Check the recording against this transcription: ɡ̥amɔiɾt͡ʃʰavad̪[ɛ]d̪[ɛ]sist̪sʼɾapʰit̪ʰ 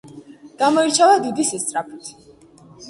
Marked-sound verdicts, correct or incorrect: incorrect, incorrect

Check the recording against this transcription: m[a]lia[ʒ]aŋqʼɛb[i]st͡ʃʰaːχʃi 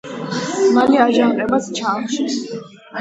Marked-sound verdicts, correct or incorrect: correct, correct, incorrect

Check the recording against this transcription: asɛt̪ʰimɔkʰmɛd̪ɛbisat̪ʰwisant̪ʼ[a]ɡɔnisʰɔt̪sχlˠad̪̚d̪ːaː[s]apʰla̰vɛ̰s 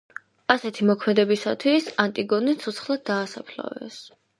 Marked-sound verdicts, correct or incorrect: incorrect, correct

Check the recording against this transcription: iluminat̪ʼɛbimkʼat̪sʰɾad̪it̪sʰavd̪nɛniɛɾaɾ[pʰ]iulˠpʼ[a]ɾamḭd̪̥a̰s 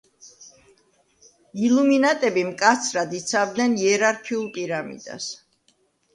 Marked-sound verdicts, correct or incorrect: incorrect, incorrect

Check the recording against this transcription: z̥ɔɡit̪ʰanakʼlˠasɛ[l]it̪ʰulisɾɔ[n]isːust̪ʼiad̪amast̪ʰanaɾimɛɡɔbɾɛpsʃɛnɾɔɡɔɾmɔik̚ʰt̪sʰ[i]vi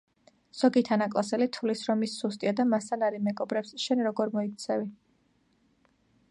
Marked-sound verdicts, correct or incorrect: correct, incorrect, incorrect

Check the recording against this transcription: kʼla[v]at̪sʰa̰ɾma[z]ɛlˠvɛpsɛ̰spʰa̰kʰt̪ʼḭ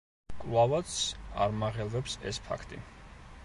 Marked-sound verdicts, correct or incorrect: correct, incorrect

